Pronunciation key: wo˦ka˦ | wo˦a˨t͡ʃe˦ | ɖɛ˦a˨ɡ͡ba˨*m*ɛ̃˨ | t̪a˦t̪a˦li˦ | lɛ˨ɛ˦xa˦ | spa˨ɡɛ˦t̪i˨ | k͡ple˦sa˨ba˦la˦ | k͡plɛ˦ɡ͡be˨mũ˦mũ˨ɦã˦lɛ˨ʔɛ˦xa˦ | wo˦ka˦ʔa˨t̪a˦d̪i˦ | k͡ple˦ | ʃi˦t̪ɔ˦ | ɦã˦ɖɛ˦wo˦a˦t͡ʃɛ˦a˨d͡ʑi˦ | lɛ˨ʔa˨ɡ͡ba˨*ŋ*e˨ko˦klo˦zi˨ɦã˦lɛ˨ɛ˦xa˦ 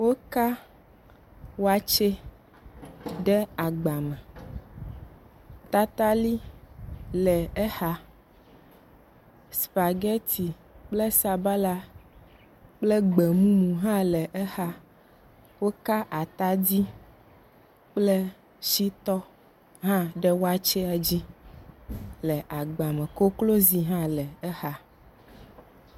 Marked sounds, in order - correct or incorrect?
correct, incorrect

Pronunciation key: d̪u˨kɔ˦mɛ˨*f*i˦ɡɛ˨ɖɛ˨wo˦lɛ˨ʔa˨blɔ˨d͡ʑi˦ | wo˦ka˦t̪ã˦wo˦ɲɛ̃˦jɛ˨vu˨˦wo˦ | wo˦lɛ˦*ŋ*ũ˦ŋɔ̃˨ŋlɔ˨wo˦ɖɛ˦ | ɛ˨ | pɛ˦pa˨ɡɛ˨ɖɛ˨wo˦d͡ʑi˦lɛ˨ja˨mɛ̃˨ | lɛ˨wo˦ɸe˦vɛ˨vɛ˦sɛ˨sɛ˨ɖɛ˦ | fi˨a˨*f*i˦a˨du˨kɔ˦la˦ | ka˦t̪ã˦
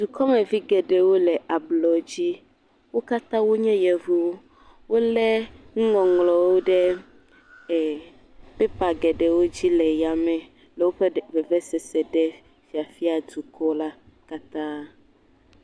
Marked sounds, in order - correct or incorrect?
incorrect, correct, correct

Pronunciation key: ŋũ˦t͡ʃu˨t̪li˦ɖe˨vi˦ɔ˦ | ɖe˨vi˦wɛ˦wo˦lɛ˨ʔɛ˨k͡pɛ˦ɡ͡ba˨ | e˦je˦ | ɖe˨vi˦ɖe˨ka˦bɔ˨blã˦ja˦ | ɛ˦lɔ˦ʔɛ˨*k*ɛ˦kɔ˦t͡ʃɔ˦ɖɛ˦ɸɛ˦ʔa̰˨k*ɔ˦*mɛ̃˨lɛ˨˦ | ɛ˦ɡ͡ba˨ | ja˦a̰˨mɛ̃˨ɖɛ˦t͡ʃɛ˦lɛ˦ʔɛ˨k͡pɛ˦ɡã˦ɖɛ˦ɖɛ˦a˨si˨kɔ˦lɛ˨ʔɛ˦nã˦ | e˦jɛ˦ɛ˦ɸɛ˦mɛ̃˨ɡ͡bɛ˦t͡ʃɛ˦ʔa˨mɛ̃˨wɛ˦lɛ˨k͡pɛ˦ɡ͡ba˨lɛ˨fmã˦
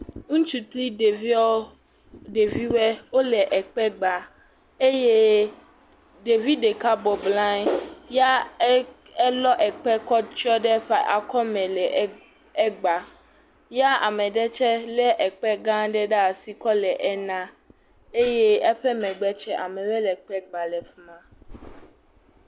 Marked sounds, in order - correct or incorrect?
incorrect, correct

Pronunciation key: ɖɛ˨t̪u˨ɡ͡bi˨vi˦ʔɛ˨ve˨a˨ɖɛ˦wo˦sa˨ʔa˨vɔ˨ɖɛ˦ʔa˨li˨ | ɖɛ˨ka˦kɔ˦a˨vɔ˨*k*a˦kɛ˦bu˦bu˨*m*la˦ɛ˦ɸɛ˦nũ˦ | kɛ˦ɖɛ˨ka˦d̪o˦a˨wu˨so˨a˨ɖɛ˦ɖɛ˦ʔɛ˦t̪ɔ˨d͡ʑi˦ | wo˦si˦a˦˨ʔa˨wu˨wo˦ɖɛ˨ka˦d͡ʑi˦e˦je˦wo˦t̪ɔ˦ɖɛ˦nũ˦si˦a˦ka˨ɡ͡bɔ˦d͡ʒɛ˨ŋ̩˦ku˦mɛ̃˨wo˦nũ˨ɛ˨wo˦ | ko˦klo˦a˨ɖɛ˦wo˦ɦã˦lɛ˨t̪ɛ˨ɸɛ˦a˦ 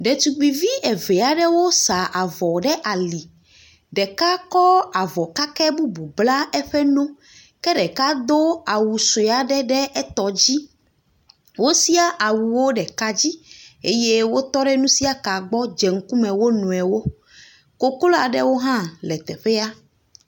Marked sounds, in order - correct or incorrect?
correct, incorrect

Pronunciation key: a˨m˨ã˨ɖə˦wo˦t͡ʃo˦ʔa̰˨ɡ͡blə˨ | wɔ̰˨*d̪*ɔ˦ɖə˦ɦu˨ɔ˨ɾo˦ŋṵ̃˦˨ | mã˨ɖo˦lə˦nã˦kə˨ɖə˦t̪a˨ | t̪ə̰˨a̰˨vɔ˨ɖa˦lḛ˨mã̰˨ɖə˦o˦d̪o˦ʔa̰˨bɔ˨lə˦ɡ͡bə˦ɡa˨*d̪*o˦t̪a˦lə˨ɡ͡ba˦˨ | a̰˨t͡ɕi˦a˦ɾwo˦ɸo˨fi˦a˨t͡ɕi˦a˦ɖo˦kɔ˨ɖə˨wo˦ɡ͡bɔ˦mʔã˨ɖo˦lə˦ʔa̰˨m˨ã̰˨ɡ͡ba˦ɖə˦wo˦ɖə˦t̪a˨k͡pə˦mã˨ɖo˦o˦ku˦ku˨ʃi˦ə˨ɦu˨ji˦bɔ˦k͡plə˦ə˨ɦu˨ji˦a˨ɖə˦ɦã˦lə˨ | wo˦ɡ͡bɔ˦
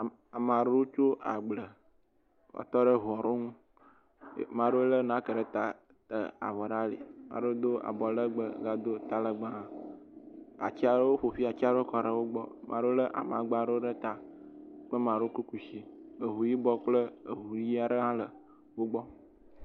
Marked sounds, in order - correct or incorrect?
incorrect, correct

